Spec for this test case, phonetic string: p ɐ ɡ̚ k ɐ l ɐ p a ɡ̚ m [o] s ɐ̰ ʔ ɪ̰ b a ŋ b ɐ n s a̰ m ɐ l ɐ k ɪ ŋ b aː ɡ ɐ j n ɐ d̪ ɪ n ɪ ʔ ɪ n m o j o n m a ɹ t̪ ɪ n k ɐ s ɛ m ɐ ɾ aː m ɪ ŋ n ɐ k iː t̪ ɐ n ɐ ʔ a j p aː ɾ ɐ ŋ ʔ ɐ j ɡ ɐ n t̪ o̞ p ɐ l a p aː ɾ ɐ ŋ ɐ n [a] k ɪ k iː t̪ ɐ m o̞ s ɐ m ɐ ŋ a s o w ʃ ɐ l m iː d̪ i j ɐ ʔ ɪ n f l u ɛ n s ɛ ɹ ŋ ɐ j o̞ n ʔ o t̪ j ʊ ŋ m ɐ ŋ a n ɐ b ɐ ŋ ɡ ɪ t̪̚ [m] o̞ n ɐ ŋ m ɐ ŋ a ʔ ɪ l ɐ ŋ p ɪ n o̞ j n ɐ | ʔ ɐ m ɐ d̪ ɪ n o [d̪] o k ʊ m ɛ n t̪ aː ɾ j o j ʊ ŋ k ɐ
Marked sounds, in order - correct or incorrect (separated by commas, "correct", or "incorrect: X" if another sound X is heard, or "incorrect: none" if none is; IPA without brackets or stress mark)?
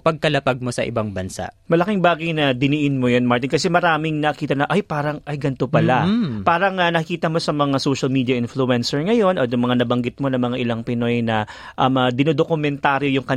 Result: correct, incorrect: ɐ, correct, correct